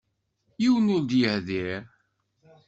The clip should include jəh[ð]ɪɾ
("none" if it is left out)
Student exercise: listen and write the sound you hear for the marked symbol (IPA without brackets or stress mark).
ð